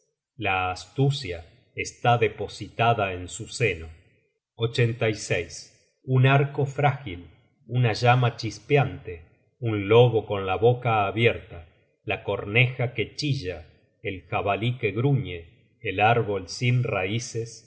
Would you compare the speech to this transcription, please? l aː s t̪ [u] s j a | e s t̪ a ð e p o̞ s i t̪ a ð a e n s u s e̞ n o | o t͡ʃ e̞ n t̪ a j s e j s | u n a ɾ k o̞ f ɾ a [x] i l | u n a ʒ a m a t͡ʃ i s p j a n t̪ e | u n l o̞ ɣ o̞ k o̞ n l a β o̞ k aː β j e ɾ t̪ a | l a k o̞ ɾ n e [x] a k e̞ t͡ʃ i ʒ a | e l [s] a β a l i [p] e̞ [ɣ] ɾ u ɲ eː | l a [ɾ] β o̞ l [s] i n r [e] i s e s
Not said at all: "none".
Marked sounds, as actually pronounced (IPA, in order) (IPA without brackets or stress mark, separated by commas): u, x, x, x, k, ɣ, ɾ, s, a